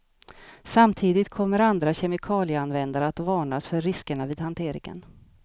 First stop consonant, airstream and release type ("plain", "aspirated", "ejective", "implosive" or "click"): aspirated